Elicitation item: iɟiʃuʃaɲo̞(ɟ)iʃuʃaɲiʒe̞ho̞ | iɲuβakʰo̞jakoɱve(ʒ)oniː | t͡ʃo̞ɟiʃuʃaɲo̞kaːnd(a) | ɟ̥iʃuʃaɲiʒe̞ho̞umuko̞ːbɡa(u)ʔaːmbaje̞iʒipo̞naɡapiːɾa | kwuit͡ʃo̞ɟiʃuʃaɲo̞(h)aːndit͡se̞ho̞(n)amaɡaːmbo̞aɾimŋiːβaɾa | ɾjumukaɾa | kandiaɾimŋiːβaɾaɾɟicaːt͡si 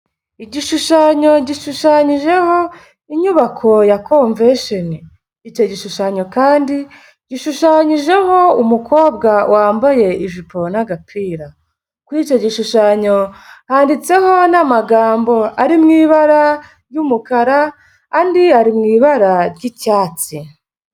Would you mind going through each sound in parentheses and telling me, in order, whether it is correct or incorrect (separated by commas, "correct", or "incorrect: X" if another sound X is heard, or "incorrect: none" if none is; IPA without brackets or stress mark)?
correct, incorrect: ʃ, incorrect: i, incorrect: w, correct, correct